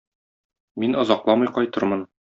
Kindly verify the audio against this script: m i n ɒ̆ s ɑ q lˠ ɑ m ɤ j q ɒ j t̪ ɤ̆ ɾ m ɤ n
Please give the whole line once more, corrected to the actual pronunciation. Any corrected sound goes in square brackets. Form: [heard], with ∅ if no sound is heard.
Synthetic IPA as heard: m i n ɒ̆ [z] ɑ q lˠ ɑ m ɤ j q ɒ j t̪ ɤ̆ ɾ m ɤ n